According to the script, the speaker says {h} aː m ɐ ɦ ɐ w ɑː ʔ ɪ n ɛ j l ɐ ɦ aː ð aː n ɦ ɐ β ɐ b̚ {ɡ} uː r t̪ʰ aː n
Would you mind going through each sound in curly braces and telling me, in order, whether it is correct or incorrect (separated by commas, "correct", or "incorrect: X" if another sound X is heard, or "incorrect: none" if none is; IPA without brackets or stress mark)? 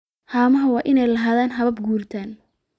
correct, correct